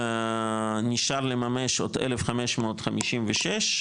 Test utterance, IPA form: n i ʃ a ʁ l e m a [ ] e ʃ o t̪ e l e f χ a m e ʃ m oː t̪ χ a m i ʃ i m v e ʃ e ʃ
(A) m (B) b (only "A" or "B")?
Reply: A